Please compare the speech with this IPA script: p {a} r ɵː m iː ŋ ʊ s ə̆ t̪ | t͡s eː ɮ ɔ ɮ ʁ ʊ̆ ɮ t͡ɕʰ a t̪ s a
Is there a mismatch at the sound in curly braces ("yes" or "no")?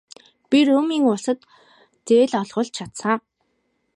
yes